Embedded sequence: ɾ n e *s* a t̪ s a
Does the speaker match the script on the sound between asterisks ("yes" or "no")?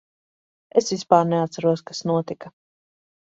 no